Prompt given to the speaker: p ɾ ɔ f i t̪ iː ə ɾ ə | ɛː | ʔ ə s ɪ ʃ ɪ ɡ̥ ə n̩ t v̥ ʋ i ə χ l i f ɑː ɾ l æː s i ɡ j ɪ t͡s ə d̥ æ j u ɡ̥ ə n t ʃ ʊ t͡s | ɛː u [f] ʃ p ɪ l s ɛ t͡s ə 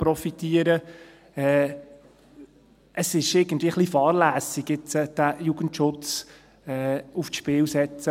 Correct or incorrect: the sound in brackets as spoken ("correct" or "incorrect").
correct